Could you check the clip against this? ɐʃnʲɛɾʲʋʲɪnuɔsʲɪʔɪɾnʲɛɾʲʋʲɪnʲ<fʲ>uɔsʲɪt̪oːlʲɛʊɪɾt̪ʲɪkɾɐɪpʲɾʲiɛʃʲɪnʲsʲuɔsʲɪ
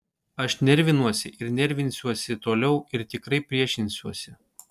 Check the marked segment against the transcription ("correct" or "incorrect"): incorrect